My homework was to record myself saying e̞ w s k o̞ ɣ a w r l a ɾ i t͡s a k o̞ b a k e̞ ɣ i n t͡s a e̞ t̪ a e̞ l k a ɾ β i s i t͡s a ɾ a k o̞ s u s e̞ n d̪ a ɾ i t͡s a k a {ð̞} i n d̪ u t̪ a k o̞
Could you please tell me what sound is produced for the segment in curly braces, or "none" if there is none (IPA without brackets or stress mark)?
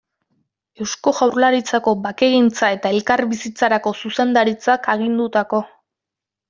ɣ̞